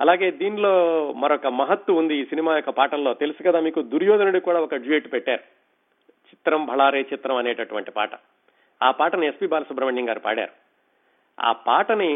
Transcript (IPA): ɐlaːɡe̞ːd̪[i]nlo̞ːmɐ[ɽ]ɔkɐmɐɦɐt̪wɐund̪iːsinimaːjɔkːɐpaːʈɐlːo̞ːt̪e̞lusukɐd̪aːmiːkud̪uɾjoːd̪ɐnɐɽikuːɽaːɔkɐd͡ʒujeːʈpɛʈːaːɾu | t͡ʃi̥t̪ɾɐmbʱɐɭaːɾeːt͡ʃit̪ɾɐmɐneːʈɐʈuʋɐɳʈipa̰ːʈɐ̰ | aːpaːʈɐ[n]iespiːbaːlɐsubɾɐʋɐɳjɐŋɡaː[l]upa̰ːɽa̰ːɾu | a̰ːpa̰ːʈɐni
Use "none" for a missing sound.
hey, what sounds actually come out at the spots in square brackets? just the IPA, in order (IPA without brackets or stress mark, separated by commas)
iː, ɾ, n, ɾ